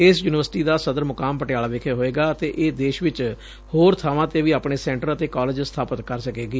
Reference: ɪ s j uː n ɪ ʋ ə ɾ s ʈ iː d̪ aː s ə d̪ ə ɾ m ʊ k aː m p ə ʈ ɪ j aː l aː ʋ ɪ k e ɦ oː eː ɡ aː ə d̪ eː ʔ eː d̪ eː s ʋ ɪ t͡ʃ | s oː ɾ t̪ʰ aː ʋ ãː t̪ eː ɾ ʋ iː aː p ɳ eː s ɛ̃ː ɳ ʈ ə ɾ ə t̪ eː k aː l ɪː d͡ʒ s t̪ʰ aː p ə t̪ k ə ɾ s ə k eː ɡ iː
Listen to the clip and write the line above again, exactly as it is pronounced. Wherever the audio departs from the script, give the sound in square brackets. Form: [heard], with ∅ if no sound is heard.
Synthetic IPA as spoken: ɪ s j uː n ɪ ʋ ə ɾ s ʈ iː d̪ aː s ə d̪ ə ɾ m ʊ k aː m p ə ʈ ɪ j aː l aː ʋ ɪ [kʰ] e ɦ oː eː ɡ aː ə [t̪] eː ʔ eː d̪ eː [ʃ] ʋ ɪ t͡ʃ | [h] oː ɾ t̪ʰ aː ʋ ãː t̪ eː [∅] ʋ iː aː p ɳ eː s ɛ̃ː ɳ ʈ ə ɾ ə t̪ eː k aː l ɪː d͡ʒ s t̪ʰ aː p ə t̪ k ə ɾ s ə k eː ɡ iː